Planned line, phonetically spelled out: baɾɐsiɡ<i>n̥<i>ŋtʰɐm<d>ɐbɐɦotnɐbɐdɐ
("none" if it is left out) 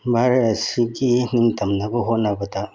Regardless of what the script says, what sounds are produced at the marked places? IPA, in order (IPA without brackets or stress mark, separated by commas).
i, i, n